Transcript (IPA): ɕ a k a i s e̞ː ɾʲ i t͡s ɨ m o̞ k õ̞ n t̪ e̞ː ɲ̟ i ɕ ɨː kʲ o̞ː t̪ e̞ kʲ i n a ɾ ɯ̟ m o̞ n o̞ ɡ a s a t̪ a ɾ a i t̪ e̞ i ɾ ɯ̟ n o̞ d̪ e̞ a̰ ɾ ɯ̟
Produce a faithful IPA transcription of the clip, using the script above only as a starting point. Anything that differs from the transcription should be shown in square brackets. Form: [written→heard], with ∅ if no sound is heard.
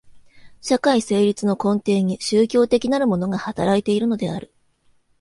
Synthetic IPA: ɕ a k a i s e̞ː ɾʲ i t͡s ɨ [m→n] o̞ k õ̞ n t̪ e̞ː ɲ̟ i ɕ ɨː kʲ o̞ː t̪ e̞ kʲ i n a ɾ ɯ̟ m o̞ n o̞ ɡ a [s→h] a t̪ a ɾ a i t̪ e̞ i ɾ ɯ̟ n o̞ d̪ e̞ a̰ ɾ ɯ̟